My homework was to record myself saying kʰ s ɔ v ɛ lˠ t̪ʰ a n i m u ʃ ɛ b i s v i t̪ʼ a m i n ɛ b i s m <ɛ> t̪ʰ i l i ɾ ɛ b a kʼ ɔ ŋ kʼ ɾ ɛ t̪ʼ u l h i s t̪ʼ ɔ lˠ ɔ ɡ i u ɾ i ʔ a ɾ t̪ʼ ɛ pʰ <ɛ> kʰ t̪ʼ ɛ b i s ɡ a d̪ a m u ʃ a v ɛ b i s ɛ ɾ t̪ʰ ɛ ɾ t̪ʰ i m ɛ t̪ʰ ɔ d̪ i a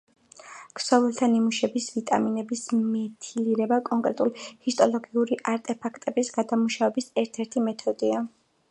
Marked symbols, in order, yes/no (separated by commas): yes, no